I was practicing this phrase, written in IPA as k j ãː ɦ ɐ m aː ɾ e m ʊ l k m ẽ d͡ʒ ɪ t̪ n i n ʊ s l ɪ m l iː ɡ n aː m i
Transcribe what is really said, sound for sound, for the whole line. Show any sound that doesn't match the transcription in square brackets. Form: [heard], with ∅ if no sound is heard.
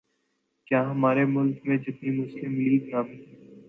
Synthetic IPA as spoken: k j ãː ɦ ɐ m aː ɾ e m ʊ l k m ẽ d͡ʒ ɪ t̪ n i [m] ʊ s l ɪ m l iː ɡ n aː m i